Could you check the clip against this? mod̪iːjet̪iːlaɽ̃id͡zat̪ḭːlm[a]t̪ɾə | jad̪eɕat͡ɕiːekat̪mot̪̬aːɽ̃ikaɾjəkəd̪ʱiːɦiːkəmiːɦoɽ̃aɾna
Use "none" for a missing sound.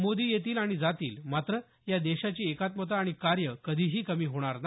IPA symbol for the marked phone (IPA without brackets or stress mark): a